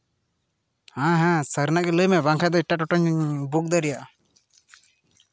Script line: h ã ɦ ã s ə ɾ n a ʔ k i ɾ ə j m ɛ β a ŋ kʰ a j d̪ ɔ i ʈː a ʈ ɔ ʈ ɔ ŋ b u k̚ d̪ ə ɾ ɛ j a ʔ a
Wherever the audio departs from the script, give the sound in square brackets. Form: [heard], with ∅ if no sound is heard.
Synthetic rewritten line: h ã ɦ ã s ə ɾ n a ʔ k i [l] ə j m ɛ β a ŋ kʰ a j d̪ ɔ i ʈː a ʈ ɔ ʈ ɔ [ɲ] b u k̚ d̪ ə ɾ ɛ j a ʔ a